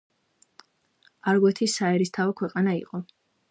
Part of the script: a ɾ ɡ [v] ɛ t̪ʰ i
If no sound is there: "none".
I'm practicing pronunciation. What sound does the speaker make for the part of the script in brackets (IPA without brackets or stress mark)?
w